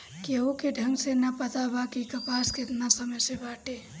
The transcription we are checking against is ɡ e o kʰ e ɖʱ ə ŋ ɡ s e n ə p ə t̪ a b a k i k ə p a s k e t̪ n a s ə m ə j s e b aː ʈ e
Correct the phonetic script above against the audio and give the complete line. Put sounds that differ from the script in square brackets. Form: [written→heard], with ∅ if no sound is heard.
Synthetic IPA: [ɡ→k] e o [kʰ→k] e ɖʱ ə ŋ ɡ s e n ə p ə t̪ a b a k i k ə p a s k e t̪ n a s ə m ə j s e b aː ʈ e